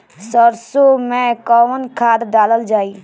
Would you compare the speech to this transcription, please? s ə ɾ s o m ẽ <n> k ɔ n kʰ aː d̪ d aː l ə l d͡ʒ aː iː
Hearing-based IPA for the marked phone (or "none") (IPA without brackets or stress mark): none